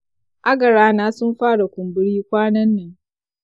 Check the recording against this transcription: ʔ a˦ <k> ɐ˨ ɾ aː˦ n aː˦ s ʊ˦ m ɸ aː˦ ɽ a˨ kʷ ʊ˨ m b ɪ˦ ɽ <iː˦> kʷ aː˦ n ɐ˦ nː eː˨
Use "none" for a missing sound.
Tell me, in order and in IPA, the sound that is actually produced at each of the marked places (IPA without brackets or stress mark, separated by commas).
ɡ, iː˦